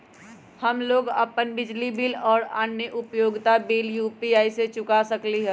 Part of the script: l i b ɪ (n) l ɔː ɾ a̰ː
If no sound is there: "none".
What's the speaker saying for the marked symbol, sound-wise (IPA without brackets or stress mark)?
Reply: none